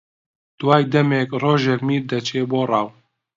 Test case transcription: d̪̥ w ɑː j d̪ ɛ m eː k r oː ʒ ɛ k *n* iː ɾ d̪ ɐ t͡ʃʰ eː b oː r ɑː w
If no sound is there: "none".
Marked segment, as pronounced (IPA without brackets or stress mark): m